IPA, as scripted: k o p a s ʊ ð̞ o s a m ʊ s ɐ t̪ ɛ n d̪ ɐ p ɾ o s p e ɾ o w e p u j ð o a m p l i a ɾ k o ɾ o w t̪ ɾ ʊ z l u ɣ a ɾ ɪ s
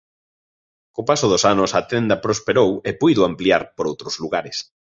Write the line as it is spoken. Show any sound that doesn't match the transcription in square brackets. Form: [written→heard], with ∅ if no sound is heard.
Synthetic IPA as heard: k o p a s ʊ ð̞ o s a [m→n] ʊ s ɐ t̪ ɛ n d̪ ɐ p ɾ o s p e ɾ o w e p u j ð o a m p l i a ɾ [k→p] o ɾ o w t̪ ɾ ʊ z l u ɣ a ɾ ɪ s